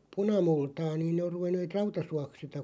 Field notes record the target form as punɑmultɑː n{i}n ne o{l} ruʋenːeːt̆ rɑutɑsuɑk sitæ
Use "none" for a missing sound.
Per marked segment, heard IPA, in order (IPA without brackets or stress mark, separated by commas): iː, r